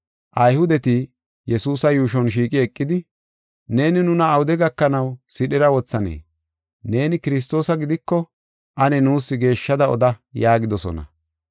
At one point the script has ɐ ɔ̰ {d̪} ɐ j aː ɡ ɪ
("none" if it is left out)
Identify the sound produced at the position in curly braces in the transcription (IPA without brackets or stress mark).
d̪